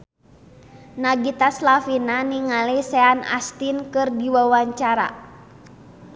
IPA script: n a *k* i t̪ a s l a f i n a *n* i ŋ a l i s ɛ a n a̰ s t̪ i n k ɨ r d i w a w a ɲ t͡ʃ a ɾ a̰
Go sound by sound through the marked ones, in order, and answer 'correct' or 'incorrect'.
incorrect: ɡ, correct

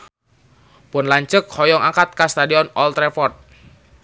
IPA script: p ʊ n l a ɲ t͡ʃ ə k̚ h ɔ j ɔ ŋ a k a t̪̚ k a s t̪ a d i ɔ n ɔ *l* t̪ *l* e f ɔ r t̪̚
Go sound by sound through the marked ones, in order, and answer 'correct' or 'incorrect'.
correct, incorrect: ɾ

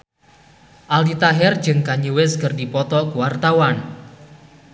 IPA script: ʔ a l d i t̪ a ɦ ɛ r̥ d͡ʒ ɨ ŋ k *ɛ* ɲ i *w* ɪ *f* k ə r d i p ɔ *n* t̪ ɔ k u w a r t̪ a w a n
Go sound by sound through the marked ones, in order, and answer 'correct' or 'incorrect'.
incorrect: a, correct, incorrect: s, incorrect: none

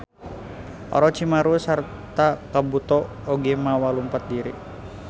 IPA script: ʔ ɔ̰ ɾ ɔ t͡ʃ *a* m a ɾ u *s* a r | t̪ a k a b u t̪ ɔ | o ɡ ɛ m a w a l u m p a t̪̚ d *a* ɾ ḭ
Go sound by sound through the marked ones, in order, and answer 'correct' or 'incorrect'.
incorrect: i, correct, incorrect: i

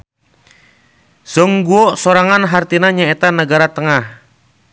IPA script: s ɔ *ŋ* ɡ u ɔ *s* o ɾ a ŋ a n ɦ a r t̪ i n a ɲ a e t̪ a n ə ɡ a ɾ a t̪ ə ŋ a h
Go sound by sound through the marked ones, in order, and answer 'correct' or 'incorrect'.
correct, correct

